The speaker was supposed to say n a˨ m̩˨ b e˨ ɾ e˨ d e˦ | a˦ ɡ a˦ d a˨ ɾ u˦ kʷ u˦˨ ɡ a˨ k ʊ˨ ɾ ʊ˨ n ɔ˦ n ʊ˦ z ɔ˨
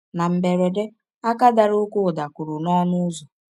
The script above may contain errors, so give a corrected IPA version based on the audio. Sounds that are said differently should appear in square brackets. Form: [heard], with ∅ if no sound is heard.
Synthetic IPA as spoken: n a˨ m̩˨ b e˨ ɾ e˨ d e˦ | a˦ [k] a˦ d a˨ ɾ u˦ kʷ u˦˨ [d] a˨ k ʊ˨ ɾ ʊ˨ n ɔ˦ n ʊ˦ z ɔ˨